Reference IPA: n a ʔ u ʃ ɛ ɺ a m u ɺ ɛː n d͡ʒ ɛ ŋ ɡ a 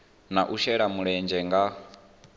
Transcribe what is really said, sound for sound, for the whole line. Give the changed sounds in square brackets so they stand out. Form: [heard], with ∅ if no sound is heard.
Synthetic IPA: n a ʔ u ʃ ɛ ɺ a m u ɺ [ɛ] n d͡ʒ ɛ ŋ ɡ a